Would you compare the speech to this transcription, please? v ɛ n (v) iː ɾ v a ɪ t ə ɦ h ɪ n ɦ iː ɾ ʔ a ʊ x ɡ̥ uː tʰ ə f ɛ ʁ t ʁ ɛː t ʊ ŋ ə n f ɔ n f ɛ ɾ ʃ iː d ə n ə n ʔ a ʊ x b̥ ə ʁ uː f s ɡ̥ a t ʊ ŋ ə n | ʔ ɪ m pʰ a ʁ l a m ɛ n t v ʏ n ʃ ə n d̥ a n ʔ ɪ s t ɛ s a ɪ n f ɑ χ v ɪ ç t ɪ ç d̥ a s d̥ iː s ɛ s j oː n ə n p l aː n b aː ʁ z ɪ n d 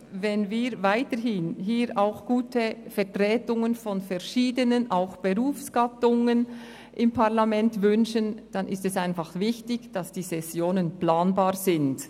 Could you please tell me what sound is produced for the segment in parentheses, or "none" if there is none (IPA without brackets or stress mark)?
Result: v